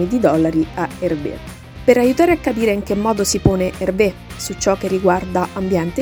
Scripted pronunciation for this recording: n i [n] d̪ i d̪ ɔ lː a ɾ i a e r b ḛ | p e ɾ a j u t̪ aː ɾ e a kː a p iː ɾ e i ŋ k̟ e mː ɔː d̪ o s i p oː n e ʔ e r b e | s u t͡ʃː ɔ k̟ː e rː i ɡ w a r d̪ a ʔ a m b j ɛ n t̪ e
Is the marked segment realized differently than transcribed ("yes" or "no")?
yes